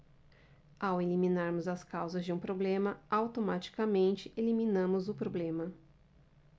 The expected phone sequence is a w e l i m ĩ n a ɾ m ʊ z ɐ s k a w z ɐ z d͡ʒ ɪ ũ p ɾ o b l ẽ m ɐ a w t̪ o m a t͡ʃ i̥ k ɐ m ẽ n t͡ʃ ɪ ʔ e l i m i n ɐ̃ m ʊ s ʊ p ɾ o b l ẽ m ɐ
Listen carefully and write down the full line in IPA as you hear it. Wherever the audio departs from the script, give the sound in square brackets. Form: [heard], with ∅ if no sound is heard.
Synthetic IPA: a w e l i m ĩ n a ɾ m ʊ z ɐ s k a w z ɐ z d͡ʒ ɪ ũ p ɾ o b l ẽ m ɐ a w t̪ o m a t͡ʃ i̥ k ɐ m ẽ n t͡ʃ ɪ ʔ e l i m i n ɐ̃ m ʊ [z] ʊ p ɾ o b l ẽ m ɐ